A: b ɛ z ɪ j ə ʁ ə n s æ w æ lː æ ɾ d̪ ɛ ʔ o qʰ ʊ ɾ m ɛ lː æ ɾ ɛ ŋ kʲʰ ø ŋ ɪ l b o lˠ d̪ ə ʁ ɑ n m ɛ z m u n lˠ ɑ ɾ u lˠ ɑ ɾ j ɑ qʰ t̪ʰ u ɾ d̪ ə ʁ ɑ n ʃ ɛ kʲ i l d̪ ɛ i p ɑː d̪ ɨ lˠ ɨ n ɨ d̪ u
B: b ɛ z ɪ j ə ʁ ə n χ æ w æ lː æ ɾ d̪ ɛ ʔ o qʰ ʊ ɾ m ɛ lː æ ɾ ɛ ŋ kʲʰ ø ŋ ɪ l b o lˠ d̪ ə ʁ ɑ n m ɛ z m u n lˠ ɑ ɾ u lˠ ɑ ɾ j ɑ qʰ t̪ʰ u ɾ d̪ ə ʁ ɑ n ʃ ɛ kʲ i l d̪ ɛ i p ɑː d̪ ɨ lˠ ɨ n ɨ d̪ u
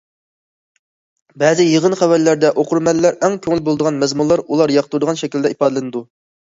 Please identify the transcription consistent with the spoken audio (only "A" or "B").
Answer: B